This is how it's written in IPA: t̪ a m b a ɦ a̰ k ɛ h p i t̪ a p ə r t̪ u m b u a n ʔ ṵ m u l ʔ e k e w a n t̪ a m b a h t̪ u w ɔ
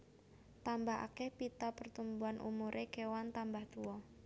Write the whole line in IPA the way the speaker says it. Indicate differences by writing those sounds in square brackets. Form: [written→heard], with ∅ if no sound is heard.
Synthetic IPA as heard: t̪ a m b a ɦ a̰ k ɛ h p i t̪ a p ə r t̪ u m b u a n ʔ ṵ m u [l→ɾ] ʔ e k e w a n t̪ a m b a h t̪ u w ɔ